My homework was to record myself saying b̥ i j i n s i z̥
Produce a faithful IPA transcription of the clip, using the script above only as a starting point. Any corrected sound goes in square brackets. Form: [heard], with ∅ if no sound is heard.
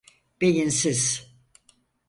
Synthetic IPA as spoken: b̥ [e] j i n s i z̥